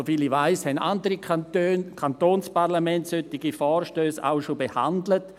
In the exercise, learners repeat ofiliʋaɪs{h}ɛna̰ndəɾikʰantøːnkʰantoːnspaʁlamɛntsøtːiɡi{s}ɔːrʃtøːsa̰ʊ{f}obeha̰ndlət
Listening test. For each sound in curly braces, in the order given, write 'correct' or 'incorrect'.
correct, incorrect: f, incorrect: ʃ

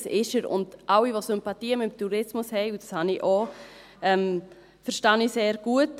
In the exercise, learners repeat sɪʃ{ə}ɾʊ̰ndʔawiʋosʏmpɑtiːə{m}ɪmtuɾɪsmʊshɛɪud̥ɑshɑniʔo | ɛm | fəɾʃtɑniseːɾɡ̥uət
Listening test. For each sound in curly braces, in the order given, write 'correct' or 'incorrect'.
correct, correct

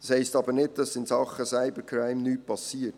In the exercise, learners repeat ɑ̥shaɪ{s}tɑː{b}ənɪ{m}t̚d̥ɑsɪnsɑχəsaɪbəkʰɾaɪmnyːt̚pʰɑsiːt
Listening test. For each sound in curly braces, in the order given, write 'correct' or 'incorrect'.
correct, correct, incorrect: none

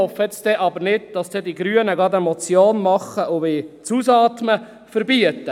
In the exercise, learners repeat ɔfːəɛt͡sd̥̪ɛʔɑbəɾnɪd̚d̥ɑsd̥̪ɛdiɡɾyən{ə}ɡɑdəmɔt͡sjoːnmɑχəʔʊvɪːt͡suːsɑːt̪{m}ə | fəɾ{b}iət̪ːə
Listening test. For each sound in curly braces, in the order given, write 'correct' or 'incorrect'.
correct, correct, correct

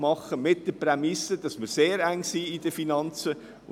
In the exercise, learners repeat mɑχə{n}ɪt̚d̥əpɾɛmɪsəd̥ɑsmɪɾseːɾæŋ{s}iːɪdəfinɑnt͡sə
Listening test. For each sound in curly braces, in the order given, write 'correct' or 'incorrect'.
incorrect: m, correct

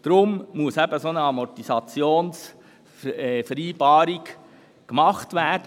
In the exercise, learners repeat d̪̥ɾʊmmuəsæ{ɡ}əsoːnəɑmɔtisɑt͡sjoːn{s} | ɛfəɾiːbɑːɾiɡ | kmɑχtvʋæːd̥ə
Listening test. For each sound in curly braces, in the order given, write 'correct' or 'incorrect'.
incorrect: b, correct

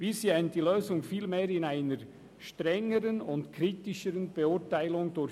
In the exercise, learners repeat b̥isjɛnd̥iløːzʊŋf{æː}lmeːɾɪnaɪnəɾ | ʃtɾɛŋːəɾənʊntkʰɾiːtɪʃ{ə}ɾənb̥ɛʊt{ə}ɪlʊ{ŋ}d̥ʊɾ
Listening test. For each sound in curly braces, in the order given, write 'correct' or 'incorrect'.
incorrect: iː, correct, incorrect: a, correct

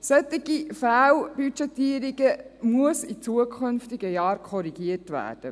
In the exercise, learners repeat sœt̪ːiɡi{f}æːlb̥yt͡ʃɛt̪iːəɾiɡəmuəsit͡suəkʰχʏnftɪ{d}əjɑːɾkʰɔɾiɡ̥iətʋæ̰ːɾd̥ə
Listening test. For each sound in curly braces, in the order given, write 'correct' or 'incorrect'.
correct, incorrect: ɡ

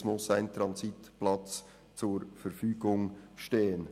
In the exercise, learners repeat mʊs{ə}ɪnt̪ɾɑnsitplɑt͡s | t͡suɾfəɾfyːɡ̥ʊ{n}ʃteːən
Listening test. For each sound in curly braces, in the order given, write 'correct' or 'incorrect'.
incorrect: a, incorrect: ŋ

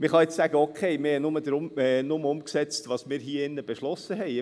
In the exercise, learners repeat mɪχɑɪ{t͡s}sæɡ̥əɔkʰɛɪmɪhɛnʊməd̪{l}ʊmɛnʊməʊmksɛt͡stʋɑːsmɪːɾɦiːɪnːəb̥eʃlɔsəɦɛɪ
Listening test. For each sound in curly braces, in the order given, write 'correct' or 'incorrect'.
correct, incorrect: ɾ

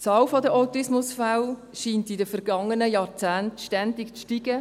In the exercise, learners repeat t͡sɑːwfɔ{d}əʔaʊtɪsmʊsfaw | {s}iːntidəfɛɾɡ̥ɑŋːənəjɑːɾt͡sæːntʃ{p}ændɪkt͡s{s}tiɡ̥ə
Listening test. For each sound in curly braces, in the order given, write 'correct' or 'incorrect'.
correct, incorrect: ʃ, incorrect: t, incorrect: ʃ

